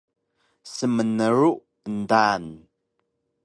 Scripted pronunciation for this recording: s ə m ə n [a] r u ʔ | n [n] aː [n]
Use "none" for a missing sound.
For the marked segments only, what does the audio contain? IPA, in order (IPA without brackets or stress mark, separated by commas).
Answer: ə, d, n